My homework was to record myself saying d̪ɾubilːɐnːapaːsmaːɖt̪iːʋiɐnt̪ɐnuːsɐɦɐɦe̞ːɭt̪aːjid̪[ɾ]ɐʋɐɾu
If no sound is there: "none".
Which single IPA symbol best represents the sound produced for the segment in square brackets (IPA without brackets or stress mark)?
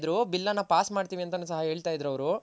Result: ɾ